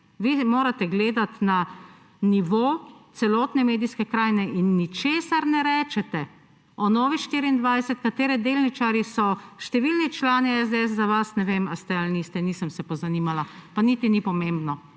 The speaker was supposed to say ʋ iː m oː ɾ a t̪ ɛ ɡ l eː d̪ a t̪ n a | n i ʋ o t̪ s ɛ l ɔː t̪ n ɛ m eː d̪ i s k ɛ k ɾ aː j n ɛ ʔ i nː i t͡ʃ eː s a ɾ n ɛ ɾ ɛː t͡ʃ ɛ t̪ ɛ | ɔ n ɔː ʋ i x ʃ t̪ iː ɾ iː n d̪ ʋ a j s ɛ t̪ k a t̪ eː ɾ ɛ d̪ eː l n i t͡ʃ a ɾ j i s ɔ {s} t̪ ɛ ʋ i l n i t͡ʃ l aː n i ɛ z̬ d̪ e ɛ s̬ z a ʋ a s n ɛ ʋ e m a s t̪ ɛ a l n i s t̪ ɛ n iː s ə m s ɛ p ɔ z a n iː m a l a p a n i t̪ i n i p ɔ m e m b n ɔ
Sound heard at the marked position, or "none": ʃ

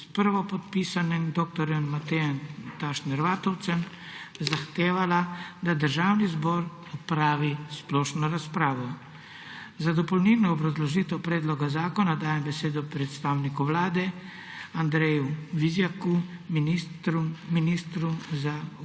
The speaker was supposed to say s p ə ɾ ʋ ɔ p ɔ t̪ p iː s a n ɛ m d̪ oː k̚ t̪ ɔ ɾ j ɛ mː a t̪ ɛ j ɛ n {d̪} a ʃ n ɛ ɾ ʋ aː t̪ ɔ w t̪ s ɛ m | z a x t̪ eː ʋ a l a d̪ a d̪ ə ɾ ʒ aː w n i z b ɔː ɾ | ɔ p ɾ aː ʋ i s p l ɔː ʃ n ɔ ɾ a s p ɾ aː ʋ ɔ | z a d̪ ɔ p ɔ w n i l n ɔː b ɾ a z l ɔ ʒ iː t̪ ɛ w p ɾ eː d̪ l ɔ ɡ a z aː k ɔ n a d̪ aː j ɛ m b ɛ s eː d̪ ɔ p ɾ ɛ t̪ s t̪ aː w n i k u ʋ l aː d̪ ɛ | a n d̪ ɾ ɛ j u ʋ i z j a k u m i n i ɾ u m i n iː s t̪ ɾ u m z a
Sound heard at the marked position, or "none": t̪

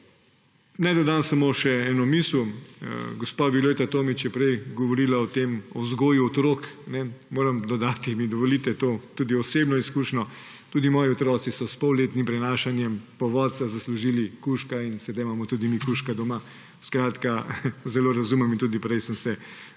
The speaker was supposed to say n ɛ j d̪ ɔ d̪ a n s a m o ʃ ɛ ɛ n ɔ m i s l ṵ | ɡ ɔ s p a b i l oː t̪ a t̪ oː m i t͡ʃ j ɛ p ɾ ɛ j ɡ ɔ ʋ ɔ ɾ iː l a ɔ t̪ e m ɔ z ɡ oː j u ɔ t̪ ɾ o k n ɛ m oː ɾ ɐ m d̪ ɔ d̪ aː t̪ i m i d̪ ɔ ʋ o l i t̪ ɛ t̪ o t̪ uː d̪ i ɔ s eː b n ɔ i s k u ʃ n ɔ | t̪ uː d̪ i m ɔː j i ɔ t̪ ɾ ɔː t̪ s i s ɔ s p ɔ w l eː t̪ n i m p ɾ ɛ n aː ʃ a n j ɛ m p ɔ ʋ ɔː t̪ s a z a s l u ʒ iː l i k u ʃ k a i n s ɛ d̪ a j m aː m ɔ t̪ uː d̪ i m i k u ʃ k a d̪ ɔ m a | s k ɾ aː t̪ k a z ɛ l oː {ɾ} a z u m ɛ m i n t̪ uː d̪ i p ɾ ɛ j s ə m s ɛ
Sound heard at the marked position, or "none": ɾ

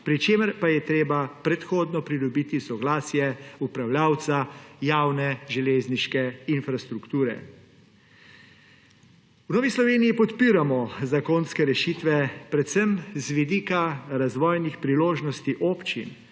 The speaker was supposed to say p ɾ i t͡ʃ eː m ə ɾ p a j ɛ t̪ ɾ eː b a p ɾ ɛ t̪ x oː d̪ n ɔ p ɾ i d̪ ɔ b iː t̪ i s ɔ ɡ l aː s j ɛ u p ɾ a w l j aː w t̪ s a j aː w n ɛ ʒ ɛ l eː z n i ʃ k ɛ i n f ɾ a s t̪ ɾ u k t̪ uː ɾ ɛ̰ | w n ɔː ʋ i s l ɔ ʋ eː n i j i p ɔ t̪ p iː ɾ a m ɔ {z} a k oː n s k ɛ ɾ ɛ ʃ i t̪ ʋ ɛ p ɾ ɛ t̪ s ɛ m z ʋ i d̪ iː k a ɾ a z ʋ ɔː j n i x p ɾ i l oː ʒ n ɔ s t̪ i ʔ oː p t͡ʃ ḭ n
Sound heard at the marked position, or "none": z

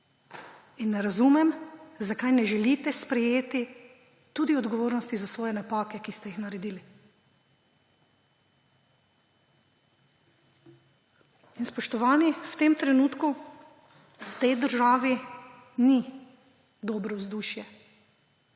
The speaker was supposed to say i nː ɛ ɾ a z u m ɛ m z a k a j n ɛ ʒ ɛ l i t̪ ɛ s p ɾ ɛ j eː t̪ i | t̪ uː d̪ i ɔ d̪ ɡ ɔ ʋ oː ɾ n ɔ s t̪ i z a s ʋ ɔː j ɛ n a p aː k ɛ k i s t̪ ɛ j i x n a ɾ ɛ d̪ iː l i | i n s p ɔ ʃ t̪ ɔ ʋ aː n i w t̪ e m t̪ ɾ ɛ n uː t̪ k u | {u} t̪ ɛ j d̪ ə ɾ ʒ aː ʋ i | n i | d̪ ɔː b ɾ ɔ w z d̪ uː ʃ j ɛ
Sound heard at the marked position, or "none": w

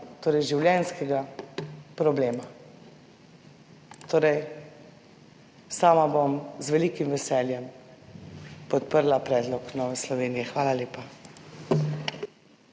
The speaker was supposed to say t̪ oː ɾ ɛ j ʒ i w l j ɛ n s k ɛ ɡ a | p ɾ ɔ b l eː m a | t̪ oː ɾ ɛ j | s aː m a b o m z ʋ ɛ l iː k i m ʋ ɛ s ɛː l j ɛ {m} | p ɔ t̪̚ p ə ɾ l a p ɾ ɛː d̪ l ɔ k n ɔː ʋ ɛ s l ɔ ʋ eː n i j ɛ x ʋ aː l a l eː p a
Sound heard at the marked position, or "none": m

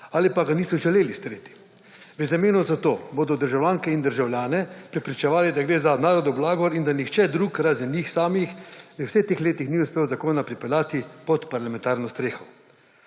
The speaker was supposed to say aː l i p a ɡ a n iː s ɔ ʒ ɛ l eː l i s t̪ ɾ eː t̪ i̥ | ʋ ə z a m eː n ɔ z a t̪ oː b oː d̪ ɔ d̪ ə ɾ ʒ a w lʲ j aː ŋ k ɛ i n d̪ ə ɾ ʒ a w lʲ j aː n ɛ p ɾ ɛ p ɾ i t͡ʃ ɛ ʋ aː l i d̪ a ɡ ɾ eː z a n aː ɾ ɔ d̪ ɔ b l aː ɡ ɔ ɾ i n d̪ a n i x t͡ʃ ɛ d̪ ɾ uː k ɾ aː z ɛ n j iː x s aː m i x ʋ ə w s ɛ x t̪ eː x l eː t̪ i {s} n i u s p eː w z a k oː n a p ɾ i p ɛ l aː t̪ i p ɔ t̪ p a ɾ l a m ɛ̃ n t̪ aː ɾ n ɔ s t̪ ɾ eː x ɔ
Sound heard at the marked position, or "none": x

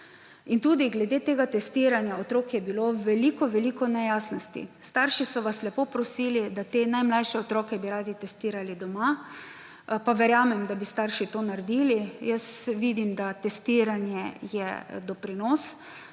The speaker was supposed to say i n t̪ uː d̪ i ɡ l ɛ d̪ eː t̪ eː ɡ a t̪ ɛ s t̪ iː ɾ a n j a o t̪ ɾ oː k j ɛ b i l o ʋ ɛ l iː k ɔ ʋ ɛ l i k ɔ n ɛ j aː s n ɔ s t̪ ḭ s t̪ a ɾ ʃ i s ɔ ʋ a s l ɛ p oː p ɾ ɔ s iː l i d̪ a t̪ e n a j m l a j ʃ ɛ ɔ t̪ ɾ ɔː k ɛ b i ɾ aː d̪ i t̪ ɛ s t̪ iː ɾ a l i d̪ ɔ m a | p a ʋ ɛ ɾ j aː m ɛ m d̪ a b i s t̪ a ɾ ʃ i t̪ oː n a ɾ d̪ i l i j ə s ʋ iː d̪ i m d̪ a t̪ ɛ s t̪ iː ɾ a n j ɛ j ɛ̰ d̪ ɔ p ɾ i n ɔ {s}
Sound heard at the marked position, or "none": s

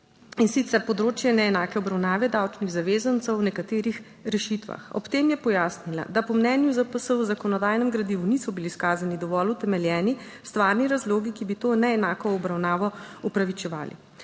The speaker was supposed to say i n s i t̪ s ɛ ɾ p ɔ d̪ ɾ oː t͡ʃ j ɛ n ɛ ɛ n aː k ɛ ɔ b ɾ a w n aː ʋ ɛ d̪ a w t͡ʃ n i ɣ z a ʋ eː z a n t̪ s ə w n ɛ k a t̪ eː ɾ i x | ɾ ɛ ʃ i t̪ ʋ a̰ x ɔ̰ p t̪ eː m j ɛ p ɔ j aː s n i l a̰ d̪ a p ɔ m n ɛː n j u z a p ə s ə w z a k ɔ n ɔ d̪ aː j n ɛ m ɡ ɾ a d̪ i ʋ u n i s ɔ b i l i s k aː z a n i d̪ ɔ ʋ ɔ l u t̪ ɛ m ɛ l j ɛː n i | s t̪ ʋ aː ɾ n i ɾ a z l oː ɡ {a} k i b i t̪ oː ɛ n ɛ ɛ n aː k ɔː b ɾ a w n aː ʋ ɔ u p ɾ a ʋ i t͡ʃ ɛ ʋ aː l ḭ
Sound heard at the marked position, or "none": i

